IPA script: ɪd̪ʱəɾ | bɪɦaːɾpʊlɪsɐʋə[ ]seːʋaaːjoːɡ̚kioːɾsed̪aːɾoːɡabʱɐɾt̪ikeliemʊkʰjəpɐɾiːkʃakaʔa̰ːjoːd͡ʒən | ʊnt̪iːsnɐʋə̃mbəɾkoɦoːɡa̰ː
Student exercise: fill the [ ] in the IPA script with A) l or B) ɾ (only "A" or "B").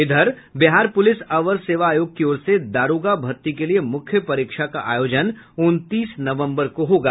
B